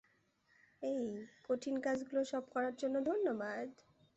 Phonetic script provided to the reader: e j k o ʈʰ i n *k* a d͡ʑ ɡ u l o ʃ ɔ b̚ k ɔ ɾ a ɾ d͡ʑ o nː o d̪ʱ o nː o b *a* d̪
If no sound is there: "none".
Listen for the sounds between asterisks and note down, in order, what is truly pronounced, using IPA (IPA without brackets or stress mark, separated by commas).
k, a